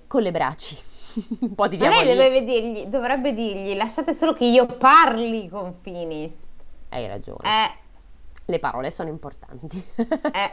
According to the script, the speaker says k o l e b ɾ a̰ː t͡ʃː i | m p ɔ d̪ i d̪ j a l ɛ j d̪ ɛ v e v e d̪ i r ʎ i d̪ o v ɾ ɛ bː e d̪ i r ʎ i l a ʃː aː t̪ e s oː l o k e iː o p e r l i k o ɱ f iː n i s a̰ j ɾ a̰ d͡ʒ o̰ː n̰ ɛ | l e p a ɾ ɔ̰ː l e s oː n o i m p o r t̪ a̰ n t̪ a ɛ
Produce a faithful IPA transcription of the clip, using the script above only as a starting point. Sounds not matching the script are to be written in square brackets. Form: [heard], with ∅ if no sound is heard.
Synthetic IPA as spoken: k o l e b ɾ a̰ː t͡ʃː i | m p ɔ d̪ i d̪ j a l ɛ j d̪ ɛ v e v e d̪ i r ʎ i d̪ o v ɾ ɛ bː e d̪ i r ʎ i l a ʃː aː t̪ e s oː l o k e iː o p [a] r l i k o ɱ f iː n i s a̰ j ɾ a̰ d͡ʒ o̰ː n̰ ɛ | l e p a ɾ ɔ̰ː l e s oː n o i m p o r t̪ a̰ n t̪ [i] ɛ